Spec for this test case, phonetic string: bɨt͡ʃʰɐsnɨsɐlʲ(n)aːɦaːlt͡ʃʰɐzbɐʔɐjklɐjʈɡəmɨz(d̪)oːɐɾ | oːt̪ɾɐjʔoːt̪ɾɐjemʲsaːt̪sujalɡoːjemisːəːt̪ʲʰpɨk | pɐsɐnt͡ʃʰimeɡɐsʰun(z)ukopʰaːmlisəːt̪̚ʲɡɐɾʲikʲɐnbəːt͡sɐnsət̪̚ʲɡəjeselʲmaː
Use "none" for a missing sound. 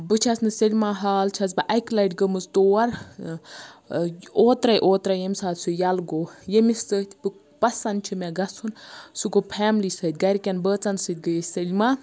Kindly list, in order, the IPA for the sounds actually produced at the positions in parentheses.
m, t̪, s

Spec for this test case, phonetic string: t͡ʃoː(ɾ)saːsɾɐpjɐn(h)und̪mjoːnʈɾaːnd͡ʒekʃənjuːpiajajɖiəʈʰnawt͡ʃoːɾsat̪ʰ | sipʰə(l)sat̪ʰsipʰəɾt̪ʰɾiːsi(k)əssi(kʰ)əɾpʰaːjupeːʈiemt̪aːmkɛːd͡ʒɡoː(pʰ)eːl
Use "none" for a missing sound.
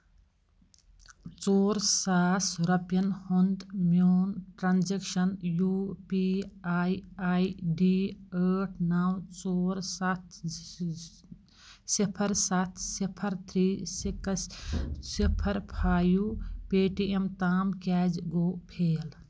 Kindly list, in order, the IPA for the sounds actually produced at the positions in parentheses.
ɾ, h, ɾ, k, pʰ, pʰ

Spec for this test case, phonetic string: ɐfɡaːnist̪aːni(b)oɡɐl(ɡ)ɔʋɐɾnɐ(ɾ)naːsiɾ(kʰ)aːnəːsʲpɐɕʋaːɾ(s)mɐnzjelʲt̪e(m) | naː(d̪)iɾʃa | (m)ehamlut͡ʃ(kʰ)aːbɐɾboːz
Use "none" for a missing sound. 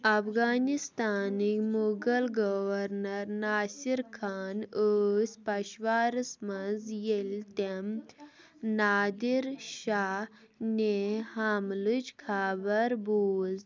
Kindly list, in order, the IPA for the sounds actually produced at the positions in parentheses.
m, ɡ, ɾ, kʰ, s, m, d̪, n, kʰ

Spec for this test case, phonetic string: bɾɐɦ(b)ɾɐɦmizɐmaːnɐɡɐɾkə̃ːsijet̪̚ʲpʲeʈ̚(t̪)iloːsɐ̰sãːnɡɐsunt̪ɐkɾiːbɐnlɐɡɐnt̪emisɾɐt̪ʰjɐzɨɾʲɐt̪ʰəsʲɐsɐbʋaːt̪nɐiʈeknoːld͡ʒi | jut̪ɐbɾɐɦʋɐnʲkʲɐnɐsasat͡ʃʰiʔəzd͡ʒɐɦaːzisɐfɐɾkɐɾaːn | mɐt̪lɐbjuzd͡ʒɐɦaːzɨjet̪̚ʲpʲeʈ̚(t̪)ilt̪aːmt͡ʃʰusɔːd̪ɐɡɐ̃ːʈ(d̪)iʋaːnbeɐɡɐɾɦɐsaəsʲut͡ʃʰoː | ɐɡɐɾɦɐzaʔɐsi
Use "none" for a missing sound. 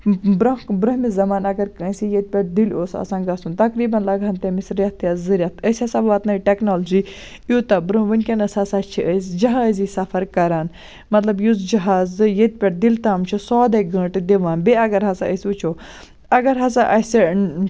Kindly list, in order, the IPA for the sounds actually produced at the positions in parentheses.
b, d̪, d̪, d̪

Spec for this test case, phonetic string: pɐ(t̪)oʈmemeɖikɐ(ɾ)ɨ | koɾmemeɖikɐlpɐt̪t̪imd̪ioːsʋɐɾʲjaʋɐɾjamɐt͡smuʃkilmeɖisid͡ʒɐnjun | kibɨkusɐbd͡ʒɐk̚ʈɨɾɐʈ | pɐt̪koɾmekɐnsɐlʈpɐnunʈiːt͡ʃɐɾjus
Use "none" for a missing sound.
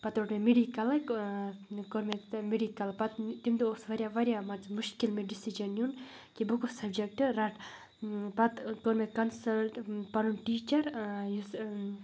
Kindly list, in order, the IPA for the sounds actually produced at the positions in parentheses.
t̪, l

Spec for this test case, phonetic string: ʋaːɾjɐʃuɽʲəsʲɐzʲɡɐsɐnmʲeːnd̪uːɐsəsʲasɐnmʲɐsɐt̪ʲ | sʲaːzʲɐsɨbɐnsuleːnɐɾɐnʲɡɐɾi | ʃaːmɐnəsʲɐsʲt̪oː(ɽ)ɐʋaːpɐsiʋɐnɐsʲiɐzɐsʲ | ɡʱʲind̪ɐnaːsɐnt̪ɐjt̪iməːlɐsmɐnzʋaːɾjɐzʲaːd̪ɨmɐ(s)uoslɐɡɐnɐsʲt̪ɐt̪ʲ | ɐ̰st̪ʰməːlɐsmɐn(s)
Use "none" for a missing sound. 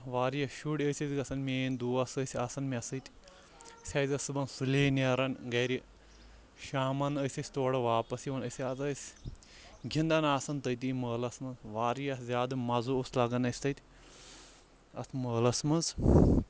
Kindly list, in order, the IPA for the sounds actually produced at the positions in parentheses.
ɽ, z, z

